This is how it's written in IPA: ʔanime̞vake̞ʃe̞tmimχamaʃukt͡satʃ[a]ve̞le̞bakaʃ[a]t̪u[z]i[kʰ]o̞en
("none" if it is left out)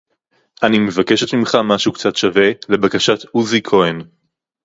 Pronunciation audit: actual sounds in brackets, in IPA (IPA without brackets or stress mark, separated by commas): a, a, z, kʰ